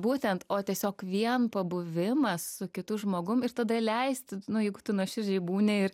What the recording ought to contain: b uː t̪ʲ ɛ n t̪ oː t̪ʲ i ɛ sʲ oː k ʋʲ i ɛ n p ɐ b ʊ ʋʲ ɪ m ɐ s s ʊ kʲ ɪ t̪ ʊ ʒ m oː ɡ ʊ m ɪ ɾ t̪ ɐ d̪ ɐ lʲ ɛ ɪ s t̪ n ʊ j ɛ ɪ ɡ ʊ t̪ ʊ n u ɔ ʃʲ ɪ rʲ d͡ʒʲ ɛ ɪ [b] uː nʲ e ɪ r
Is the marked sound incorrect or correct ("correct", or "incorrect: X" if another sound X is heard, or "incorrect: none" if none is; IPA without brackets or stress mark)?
correct